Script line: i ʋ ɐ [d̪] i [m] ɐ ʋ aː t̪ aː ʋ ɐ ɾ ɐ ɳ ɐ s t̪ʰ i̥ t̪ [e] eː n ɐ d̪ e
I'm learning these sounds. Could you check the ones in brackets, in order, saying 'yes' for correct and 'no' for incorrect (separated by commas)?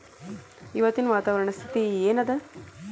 no, no, no